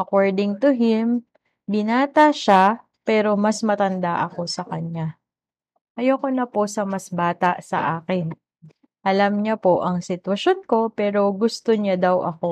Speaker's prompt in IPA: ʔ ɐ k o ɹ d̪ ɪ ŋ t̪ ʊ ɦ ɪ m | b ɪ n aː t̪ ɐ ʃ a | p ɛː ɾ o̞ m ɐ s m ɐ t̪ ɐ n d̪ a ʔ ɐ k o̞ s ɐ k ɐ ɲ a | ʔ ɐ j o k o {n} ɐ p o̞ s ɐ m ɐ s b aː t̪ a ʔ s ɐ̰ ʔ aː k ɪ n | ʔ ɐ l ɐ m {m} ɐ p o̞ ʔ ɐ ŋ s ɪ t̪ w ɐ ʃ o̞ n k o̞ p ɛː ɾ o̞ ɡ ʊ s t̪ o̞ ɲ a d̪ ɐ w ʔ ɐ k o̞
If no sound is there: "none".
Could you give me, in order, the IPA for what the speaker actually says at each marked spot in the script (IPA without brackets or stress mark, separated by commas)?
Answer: n, ɲ